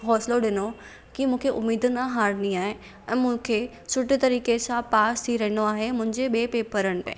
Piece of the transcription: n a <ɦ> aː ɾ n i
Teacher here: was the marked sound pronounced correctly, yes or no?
yes